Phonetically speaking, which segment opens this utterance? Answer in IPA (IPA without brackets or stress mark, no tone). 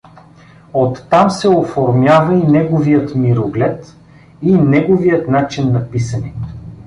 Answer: o